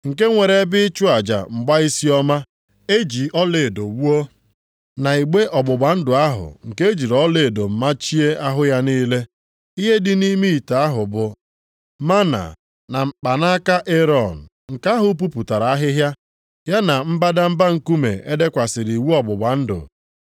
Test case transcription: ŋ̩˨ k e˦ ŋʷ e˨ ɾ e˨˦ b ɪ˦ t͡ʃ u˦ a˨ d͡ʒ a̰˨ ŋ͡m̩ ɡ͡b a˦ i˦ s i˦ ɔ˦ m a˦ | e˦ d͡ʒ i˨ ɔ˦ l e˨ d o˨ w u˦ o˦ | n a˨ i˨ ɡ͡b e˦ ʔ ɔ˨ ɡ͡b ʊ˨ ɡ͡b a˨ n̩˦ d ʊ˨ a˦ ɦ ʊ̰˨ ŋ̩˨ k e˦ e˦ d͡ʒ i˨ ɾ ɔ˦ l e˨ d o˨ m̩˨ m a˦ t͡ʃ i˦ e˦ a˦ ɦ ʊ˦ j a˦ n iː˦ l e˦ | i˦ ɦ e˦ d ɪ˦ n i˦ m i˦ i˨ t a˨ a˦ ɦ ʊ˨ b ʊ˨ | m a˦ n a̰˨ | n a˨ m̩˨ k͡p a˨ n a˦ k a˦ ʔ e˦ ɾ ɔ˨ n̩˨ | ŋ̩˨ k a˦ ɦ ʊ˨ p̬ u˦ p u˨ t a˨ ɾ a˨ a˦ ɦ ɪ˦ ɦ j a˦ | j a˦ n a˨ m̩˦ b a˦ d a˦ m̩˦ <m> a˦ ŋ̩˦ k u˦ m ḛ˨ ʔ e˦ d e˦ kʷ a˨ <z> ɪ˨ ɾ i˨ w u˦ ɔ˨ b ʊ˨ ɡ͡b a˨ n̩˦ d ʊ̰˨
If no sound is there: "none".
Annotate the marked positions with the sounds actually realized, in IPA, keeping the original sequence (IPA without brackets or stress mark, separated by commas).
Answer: b, s